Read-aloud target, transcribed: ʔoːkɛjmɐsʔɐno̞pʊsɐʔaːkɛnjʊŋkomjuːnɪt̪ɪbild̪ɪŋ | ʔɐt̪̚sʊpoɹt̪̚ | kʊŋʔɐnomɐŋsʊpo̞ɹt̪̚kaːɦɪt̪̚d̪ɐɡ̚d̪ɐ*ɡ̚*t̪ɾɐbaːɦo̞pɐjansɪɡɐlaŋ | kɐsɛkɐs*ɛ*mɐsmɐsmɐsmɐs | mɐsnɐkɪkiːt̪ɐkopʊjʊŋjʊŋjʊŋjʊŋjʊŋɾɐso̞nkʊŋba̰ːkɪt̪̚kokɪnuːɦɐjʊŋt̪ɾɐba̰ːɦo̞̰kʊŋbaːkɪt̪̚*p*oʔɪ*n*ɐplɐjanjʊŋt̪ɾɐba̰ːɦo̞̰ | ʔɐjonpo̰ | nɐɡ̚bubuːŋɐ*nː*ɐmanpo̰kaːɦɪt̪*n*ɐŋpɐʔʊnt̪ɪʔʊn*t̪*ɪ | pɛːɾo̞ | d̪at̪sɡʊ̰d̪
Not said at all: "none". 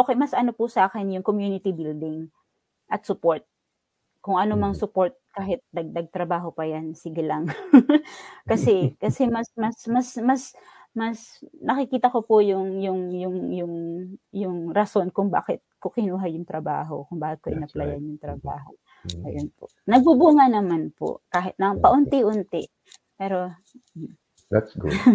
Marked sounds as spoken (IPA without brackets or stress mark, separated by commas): ɡ̚, ɛ, k, n, n, n, t̪